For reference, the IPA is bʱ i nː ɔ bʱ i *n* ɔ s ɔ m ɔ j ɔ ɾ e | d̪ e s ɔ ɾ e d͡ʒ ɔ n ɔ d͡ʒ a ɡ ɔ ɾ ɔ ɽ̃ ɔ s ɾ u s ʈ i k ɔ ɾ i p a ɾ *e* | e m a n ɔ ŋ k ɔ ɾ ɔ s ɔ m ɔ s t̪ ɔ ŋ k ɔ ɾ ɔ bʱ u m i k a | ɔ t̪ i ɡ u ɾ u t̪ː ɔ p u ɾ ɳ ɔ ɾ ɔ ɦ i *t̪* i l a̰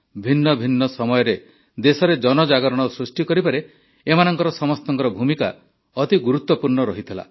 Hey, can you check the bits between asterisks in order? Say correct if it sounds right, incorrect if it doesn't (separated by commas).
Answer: incorrect, correct, incorrect